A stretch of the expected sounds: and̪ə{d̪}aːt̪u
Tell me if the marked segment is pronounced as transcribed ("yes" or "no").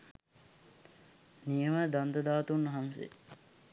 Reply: yes